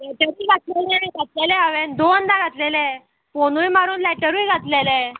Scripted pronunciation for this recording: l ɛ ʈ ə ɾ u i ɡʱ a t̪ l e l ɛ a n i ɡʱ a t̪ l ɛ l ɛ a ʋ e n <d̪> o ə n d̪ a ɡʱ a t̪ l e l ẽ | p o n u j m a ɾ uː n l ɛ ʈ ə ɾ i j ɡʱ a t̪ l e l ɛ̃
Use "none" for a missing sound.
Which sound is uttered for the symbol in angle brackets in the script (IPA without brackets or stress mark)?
d̪